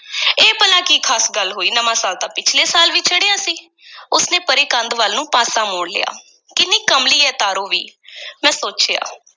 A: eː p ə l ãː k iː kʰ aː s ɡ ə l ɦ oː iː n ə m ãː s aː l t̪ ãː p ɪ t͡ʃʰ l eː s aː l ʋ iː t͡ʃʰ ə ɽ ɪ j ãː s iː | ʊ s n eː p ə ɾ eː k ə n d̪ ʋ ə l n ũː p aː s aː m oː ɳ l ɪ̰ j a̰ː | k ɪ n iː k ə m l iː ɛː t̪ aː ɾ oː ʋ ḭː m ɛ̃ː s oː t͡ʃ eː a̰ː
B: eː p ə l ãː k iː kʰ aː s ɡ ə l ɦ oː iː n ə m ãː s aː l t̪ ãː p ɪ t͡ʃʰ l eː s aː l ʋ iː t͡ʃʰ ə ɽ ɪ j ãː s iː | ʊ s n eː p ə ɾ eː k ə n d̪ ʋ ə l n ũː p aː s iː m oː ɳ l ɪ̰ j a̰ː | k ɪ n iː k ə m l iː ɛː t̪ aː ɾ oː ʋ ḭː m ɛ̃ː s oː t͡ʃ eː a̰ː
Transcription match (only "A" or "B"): A